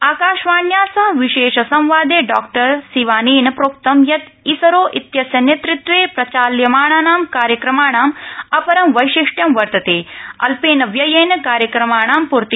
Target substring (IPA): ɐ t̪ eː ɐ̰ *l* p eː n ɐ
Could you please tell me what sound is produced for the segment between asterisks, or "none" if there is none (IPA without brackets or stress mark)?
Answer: l